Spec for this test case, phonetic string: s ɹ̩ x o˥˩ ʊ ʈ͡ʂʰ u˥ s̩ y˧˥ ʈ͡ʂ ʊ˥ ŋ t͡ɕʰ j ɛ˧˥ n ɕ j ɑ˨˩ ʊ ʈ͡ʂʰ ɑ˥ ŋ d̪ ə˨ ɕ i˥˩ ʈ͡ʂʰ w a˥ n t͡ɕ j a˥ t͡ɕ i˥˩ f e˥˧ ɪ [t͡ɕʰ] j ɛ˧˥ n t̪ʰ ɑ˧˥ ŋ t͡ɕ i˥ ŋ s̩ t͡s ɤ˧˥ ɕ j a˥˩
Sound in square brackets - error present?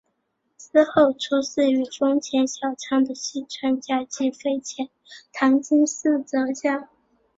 no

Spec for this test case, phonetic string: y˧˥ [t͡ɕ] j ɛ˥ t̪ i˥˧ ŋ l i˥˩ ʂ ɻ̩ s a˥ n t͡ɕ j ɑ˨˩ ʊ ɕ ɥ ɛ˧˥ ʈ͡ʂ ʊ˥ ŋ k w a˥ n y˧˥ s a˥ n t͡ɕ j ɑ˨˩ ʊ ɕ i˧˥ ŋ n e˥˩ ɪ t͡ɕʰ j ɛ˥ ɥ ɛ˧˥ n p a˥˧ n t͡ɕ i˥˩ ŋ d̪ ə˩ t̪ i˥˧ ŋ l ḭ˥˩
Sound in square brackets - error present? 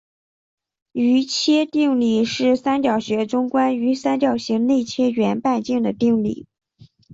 yes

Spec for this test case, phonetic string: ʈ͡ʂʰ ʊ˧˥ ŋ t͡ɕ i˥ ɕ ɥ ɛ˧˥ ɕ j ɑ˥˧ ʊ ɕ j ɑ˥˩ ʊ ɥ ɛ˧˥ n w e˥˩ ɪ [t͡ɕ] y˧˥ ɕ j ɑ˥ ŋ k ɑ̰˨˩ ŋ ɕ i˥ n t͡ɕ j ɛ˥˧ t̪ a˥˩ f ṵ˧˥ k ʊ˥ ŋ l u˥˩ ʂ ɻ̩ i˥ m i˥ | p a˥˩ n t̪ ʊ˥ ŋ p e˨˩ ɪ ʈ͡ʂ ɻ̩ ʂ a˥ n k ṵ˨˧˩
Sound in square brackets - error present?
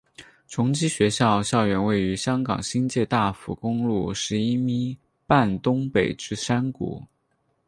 yes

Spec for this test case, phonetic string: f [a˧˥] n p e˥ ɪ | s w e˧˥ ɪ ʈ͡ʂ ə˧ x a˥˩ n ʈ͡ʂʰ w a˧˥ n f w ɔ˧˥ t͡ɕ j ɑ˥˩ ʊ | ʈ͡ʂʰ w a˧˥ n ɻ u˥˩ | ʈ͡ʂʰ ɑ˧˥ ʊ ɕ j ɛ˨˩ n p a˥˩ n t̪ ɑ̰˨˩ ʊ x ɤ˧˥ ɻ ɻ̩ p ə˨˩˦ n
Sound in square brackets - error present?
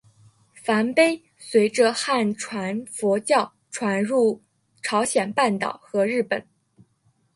no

